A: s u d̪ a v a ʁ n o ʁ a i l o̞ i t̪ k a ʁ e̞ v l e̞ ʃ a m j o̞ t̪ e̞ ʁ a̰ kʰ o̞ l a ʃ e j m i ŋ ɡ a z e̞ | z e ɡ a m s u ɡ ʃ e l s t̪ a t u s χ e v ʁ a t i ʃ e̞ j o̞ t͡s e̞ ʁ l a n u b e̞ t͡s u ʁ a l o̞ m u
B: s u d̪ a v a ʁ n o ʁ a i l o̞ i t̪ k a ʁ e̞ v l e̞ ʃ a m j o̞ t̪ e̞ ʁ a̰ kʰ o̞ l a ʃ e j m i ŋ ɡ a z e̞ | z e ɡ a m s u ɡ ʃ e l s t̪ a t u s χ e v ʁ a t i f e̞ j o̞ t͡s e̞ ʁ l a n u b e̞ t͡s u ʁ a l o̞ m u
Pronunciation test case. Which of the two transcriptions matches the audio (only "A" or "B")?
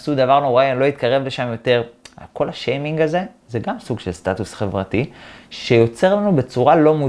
A